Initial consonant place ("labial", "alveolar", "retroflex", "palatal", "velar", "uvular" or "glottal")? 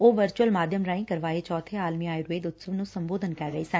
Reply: labial